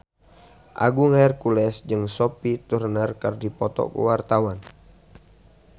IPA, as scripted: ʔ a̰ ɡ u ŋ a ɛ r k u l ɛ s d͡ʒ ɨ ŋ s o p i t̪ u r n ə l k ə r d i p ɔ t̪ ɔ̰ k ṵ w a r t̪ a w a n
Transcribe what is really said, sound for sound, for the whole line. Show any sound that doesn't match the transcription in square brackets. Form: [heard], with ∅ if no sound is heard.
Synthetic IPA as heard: ʔ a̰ ɡ u ŋ a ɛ r k u l ɛ s d͡ʒ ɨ ŋ s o p i t̪ u r n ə [r] k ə r d i p ɔ t̪ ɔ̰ k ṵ w a r t̪ a w a n